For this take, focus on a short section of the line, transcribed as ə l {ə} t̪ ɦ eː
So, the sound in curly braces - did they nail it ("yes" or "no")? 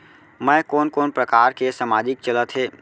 yes